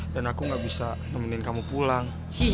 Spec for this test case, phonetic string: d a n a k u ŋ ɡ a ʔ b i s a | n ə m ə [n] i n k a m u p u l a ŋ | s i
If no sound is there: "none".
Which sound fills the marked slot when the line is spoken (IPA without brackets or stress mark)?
n